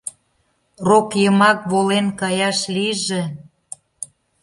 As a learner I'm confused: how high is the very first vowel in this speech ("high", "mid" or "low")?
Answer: mid